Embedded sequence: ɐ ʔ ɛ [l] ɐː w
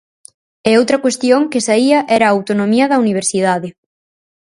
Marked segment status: incorrect: ɾ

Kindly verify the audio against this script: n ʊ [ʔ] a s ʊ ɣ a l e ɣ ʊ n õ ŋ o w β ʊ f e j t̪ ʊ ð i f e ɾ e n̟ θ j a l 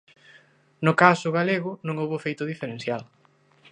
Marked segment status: incorrect: k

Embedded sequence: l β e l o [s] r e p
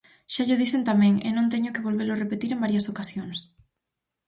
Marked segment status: incorrect: none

